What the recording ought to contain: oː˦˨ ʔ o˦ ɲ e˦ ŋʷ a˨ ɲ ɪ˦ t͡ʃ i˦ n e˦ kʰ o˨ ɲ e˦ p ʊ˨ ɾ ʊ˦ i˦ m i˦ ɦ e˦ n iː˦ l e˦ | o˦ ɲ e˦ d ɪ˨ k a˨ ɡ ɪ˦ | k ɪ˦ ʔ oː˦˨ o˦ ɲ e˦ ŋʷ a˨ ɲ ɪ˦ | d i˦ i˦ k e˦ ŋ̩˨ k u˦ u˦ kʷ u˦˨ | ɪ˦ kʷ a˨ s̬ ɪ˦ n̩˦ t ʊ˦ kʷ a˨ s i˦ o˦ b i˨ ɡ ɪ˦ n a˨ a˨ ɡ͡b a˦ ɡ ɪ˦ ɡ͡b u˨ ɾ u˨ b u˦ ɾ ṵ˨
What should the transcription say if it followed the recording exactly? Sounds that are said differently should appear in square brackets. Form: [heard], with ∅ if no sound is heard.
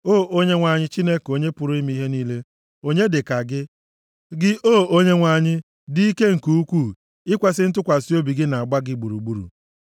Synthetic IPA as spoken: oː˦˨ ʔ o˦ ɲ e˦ ŋʷ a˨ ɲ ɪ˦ t͡ʃ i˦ n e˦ [k] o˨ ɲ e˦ p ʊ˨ ɾ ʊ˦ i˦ m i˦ ɦ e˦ n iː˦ l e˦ | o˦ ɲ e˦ d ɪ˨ k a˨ ɡ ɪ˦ | [ɡ] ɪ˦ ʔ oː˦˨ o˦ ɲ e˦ ŋʷ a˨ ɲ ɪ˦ | d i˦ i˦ k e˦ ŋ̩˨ k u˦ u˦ kʷ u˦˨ | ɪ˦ kʷ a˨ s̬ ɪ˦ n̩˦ t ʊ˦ kʷ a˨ s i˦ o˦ b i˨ ɡ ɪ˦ n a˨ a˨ ɡ͡b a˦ ɡ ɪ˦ ɡ͡b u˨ ɾ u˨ [ɡ͡b] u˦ ɾ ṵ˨